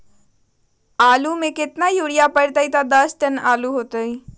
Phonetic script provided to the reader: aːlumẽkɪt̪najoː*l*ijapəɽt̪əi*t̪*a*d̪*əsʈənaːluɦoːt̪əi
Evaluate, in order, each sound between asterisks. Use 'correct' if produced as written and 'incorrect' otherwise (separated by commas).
incorrect, correct, correct